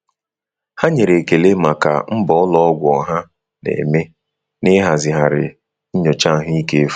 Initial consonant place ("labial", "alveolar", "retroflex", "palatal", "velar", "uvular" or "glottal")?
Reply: glottal